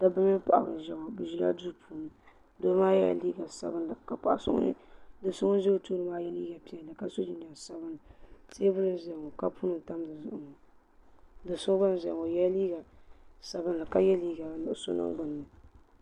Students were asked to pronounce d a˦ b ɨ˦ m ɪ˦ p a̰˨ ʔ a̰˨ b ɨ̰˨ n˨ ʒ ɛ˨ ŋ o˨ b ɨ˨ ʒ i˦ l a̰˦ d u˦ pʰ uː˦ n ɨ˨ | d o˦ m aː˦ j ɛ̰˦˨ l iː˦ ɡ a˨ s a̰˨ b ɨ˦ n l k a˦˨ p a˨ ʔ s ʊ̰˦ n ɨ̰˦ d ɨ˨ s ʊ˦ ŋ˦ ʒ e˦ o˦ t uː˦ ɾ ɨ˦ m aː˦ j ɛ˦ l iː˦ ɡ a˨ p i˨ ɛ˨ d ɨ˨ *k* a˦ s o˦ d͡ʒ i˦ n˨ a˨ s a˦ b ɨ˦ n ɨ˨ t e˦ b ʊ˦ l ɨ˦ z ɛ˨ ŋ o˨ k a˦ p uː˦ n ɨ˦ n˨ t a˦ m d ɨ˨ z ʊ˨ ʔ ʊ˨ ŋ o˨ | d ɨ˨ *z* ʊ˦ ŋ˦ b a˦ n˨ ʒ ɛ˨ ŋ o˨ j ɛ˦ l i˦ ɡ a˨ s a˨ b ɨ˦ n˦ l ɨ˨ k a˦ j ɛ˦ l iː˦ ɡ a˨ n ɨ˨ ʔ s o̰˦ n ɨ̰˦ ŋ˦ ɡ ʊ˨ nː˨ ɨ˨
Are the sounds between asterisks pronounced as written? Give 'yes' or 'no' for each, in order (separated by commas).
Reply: yes, no